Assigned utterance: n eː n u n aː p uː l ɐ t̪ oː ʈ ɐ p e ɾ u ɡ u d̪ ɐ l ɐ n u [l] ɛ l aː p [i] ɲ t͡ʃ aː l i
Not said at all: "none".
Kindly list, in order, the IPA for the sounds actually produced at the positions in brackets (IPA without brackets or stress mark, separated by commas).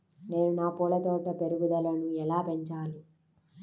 none, e